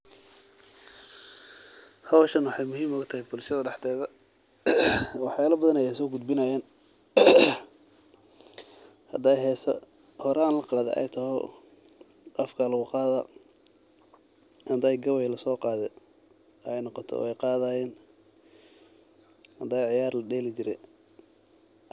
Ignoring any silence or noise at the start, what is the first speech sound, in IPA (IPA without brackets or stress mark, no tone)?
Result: h